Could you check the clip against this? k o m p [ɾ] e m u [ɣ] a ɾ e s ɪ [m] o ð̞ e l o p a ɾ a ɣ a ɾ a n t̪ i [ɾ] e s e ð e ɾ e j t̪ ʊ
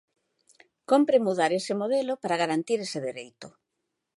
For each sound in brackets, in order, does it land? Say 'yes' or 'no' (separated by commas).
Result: yes, no, yes, yes